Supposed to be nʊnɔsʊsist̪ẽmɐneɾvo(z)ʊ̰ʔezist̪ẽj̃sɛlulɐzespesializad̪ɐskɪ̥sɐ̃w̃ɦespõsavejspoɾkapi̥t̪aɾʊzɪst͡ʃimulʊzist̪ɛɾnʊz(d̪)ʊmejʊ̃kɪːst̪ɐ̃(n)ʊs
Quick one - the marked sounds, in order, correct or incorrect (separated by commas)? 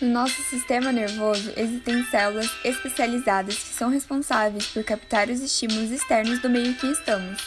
correct, correct, incorrect